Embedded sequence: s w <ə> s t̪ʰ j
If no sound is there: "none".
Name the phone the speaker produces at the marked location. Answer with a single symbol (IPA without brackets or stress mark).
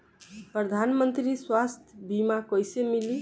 a